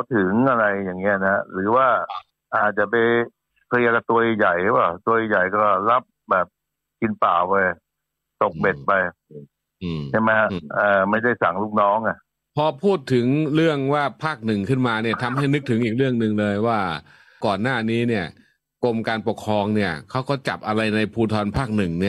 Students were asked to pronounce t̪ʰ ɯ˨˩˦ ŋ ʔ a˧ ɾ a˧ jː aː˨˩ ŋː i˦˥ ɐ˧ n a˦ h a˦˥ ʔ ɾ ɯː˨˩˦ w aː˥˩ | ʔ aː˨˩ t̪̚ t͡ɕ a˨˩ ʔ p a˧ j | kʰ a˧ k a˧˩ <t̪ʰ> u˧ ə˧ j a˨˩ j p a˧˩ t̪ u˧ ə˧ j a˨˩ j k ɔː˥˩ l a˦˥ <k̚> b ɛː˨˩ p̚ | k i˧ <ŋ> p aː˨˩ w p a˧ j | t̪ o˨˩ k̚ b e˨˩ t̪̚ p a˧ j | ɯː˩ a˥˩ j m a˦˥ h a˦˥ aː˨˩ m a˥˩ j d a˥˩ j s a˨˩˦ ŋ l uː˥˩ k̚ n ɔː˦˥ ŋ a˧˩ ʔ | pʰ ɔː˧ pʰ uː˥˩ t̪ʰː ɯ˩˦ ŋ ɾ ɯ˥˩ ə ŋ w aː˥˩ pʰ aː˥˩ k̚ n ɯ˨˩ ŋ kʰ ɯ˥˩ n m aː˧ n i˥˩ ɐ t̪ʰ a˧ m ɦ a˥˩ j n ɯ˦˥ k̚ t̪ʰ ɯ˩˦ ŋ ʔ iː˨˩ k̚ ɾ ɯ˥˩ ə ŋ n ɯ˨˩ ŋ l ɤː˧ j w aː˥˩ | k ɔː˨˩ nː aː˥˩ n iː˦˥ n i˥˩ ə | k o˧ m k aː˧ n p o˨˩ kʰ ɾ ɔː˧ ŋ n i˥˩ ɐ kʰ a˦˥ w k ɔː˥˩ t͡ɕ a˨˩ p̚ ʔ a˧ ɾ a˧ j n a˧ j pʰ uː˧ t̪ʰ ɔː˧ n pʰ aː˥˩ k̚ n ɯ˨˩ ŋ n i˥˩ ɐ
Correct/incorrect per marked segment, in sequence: incorrect: t̪, incorrect: p̚, incorrect: n

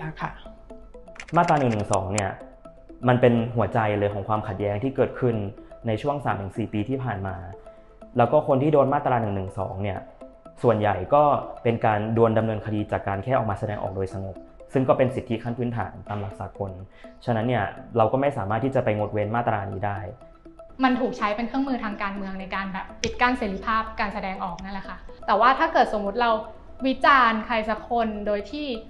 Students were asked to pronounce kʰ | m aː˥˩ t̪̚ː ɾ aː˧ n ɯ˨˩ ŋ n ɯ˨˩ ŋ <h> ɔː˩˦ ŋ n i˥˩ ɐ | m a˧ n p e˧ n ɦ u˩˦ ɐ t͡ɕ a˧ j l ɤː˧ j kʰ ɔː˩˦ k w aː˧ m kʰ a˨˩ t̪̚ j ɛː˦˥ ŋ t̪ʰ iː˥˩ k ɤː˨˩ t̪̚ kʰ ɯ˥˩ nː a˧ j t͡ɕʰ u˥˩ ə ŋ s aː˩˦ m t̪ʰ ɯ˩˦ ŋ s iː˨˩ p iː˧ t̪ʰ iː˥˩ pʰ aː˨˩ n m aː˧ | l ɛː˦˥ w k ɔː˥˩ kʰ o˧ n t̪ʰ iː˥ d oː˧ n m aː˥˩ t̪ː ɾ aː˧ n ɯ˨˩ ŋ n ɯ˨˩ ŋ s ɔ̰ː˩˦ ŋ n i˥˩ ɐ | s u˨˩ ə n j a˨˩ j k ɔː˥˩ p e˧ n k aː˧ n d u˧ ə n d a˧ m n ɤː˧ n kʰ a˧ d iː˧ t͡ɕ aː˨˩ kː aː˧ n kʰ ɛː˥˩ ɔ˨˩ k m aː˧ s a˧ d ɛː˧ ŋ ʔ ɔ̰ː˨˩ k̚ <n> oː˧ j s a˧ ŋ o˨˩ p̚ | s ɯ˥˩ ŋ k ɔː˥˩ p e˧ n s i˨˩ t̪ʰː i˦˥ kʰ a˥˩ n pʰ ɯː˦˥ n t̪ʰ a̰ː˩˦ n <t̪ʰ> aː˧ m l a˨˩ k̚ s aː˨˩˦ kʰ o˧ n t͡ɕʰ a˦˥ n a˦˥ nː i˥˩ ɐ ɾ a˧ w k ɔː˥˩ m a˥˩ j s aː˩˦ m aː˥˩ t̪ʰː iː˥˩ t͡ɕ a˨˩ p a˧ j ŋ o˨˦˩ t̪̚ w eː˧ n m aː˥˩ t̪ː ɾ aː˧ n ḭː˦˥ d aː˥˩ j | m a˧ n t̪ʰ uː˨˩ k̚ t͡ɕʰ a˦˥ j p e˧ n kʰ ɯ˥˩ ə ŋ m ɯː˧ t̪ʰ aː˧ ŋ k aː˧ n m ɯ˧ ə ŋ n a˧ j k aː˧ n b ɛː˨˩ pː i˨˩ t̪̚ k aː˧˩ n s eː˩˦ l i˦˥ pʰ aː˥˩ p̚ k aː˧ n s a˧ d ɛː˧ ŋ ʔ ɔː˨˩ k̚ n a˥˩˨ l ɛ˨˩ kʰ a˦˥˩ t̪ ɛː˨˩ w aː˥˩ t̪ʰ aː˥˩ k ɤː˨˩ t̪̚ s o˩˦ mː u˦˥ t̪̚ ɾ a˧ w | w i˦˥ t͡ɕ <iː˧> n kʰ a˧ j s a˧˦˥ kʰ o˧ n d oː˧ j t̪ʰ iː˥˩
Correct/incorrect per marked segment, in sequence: incorrect: s, incorrect: d, incorrect: t̪, incorrect: aː˧

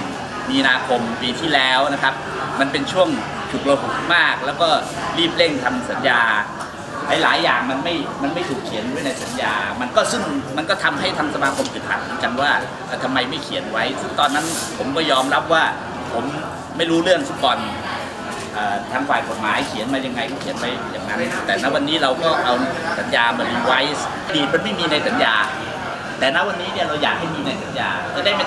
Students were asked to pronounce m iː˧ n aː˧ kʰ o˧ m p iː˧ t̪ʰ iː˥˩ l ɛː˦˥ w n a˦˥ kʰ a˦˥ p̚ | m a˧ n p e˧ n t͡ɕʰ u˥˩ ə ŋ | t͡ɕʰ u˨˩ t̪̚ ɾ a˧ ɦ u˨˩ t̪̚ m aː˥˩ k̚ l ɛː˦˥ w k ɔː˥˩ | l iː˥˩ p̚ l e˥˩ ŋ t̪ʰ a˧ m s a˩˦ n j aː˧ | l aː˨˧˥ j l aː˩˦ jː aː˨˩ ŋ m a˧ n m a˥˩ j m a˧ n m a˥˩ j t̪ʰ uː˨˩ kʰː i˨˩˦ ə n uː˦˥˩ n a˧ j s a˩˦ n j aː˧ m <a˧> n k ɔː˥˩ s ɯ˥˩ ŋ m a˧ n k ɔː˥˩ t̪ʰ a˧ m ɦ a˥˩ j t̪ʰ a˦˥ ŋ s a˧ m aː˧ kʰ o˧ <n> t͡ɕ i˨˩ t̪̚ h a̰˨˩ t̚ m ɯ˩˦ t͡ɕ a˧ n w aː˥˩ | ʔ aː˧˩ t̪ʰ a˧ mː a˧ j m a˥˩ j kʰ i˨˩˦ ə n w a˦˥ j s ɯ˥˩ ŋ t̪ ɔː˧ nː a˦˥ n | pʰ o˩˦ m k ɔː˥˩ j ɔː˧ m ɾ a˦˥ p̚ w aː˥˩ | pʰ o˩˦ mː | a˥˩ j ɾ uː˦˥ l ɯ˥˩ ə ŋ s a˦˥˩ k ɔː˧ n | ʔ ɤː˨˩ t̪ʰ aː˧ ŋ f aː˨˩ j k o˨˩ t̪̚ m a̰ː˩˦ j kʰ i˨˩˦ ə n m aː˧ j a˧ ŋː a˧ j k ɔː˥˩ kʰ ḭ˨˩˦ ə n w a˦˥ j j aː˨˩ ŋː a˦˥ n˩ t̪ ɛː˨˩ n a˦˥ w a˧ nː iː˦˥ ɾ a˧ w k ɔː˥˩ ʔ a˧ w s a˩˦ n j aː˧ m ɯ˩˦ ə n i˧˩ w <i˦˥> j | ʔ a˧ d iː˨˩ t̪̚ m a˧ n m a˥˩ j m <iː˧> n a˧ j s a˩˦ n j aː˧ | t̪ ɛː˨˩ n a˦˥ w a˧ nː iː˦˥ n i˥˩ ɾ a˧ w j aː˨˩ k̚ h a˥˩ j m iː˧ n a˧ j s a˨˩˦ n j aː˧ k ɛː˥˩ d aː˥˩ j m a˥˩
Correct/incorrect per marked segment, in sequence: correct, incorrect: m, incorrect: a˦˥, correct

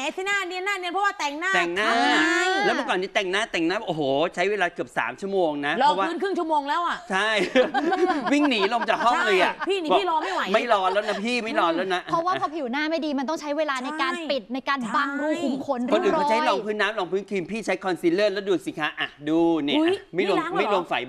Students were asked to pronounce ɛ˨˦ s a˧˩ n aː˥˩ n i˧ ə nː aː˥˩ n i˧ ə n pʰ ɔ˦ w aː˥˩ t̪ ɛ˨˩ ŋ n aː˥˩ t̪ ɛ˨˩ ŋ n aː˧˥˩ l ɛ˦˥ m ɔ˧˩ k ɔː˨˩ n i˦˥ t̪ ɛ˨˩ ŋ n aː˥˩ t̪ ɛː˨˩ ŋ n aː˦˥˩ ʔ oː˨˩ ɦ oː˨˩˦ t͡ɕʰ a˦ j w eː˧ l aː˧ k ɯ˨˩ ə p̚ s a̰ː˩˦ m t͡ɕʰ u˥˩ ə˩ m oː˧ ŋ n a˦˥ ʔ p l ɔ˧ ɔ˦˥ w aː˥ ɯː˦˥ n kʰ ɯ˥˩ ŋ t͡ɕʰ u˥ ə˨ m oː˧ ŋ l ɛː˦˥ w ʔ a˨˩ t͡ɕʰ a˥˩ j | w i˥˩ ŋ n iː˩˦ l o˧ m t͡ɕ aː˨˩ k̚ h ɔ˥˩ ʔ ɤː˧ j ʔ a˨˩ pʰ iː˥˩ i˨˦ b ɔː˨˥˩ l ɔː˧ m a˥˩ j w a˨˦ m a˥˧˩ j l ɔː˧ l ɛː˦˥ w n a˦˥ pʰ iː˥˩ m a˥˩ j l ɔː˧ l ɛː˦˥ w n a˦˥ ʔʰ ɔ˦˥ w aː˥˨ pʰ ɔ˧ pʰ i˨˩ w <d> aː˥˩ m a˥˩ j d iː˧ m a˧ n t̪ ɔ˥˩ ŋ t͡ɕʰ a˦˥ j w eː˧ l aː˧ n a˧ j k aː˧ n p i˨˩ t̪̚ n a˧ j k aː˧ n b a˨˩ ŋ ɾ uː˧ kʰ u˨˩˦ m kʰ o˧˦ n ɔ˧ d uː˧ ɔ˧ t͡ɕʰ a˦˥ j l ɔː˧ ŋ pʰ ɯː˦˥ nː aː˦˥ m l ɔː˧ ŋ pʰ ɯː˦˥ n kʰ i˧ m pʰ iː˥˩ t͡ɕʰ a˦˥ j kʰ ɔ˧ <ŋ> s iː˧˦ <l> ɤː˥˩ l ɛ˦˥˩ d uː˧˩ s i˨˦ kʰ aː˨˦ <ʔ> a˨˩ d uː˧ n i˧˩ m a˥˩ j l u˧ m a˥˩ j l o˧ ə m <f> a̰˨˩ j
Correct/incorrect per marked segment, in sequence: incorrect: n, incorrect: n, correct, correct, correct

